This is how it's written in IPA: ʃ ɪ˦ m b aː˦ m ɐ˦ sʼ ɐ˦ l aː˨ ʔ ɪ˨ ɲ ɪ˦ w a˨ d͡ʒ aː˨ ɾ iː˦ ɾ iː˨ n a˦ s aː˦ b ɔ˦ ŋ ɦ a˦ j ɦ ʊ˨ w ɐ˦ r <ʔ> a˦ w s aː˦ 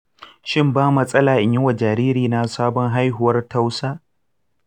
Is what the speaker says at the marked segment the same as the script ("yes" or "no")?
no